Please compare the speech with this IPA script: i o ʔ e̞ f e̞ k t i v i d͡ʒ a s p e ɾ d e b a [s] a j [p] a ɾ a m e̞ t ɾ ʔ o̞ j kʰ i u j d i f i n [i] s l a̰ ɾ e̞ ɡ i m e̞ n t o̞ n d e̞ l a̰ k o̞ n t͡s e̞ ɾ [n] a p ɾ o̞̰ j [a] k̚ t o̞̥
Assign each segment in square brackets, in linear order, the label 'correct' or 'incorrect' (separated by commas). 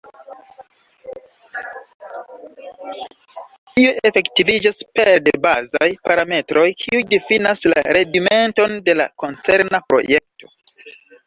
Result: incorrect, correct, incorrect, correct, incorrect